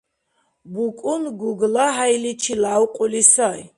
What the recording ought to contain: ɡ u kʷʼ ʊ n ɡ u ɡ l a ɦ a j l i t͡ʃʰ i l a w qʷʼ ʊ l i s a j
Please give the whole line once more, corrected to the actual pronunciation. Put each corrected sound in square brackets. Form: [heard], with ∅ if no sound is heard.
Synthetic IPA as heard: [b] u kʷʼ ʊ n ɡ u ɡ l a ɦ a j l i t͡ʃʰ i l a w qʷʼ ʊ l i s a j